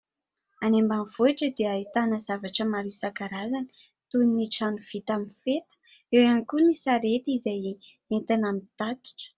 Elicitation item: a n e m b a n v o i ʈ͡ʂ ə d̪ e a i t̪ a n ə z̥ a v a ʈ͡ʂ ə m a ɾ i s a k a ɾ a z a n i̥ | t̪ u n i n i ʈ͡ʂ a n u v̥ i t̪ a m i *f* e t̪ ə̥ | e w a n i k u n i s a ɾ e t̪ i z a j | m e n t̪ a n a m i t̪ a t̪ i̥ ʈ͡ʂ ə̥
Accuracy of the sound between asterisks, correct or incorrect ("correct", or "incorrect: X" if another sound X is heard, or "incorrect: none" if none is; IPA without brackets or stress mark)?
correct